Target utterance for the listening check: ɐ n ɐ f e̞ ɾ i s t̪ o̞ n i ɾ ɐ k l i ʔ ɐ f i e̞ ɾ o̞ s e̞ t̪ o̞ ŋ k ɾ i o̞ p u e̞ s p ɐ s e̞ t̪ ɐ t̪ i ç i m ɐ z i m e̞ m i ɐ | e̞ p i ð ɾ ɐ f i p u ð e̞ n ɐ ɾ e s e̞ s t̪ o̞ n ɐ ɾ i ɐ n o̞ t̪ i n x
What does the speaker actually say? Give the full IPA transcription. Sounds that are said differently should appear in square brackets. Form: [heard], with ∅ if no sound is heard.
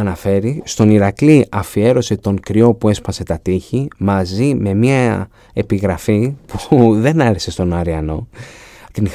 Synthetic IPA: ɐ n ɐ f e̞ ɾ i s t̪ o̞ n i ɾ ɐ k l i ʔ ɐ f i e̞ ɾ o̞ s e̞ t̪ o̞ ŋ k ɾ i o̞ p u e̞ s p ɐ s e̞ t̪ ɐ t̪ i ç i m ɐ z i m e̞ m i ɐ | e̞ p i [ɣ] ɾ ɐ f i p u ð e̞ n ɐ ɾ e s e̞ s t̪ o̞ n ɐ ɾ i ɐ n o̞ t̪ i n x